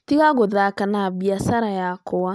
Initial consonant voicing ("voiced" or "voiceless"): voiceless